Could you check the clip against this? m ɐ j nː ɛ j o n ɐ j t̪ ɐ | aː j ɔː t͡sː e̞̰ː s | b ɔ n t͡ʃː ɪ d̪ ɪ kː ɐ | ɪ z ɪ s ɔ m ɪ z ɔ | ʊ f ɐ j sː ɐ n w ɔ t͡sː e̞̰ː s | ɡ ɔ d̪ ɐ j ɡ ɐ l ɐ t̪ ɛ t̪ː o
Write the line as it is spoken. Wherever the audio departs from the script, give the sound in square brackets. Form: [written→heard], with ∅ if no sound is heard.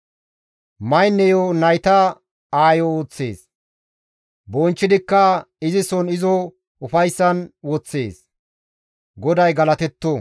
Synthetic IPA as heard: m ɐ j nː ɛ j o n ɐ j t̪ ɐ | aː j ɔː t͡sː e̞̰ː s | b ɔ n t͡ʃː ɪ d̪ ɪ kː ɐ | ɪ z ɪ s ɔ [m→n] ɪ z ɔ | ʊ f ɐ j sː ɐ n w ɔ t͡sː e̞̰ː s | ɡ ɔ d̪ ɐ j ɡ ɐ l ɐ t̪ ɛ t̪ː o